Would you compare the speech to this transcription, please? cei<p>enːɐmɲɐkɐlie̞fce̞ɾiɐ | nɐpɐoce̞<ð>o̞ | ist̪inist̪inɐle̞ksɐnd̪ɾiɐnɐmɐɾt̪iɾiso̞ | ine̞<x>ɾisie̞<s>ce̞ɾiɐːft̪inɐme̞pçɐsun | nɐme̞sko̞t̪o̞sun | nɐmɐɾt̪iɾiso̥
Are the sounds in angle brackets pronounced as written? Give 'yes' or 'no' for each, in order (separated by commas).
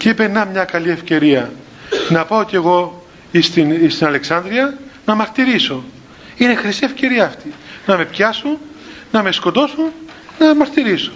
yes, no, yes, no